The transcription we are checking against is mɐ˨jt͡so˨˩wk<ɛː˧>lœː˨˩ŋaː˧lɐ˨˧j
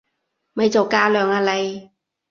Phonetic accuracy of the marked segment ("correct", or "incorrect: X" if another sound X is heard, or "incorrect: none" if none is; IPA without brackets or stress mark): incorrect: aː˧